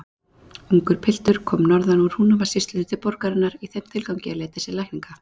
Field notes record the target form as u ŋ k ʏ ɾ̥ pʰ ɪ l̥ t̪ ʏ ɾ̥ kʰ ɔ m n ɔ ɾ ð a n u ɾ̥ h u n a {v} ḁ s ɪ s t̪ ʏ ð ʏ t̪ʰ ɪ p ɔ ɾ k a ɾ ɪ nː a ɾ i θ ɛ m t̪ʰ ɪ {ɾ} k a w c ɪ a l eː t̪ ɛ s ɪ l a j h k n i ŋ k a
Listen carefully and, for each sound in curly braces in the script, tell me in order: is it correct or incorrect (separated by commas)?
correct, incorrect